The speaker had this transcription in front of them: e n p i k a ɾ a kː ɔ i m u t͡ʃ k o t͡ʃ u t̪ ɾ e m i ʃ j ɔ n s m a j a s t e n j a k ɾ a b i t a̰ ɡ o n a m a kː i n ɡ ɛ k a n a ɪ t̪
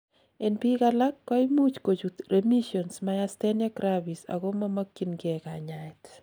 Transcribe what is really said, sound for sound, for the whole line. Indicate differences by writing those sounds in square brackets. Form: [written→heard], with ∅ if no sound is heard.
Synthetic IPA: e n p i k a [ɾ→l] a kː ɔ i m u t͡ʃ k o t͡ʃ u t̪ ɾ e m i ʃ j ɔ n s m a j a s t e n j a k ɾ a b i [t→s] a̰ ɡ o [n→m] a m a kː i n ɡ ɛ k a [n→ɲ] a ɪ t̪